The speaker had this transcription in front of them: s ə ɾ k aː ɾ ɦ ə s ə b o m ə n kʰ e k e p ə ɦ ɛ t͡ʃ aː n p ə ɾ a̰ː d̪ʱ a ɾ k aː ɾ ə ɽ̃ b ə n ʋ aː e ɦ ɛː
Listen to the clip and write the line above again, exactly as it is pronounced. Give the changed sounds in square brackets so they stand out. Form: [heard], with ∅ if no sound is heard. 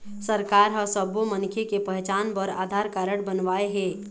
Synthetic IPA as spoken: s ə ɾ k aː ɾ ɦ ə s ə b o m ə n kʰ e k e p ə ɦ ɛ t͡ʃ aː n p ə ɾ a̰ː d̪ʱ a ɾ k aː ɾ ə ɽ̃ b ə n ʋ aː e ɦ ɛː